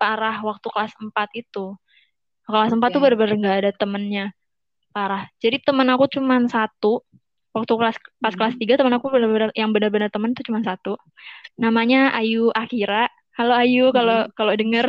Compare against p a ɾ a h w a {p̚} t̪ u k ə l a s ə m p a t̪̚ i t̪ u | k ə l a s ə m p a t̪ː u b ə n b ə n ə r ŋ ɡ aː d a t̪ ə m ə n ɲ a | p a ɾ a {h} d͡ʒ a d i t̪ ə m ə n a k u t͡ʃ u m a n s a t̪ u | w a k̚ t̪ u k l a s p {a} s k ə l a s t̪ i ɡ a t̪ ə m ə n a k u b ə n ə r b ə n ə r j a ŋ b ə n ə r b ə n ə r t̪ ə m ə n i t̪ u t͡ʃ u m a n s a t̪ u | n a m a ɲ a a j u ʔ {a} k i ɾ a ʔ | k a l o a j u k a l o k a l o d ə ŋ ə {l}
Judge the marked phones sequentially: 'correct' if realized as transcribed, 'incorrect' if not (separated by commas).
incorrect, correct, correct, correct, incorrect